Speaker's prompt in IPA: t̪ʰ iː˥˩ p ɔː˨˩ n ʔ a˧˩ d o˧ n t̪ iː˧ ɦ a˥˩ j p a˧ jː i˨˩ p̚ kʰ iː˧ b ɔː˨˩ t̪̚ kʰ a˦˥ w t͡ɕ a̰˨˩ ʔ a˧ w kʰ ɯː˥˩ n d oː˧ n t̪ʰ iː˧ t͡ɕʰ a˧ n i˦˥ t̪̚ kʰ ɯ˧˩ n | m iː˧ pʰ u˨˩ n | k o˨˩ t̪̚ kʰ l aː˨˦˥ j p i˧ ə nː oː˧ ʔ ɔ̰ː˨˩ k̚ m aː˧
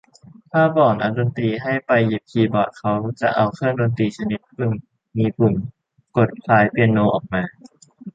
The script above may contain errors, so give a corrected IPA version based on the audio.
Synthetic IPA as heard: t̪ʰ aː˥˩ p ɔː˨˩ n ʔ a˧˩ d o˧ n t̪ iː˧ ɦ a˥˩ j p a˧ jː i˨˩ p̚ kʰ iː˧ b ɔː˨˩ t̪̚ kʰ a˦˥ w t͡ɕ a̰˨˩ ʔ a˧ w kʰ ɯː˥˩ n d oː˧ n t̪ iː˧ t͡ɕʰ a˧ n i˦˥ t̪̚ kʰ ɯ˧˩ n | m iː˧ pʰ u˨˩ n | k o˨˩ t̪̚ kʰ l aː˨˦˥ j p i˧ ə nː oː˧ ʔ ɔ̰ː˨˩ k̚ m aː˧